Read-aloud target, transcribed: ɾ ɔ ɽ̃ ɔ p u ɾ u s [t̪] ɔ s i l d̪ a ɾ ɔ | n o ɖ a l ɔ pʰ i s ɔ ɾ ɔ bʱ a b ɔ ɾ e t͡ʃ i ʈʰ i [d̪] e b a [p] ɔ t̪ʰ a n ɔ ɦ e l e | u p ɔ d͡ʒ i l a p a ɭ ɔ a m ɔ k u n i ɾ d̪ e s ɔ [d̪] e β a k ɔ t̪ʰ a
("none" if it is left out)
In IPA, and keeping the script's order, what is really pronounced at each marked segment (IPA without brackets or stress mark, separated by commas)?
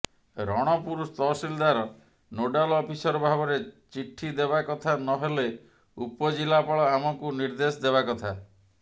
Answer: t̪, d̪, k, d̪